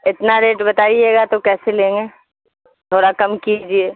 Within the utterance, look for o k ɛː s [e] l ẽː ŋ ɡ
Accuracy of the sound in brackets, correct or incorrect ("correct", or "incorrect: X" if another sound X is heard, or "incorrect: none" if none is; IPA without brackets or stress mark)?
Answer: correct